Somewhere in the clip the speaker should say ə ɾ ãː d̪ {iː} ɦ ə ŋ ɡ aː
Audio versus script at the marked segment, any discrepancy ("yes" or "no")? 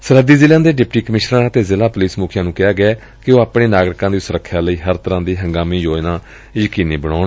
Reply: no